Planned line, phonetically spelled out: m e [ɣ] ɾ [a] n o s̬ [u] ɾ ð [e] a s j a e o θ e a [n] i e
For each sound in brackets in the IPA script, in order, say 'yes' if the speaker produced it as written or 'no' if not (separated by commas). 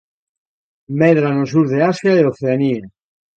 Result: no, yes, yes, yes, yes